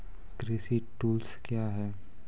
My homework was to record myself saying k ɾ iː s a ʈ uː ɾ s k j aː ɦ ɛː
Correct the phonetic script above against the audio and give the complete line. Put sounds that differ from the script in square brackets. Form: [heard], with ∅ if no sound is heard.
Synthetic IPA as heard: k ɾ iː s [i] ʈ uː [l] s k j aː ɦ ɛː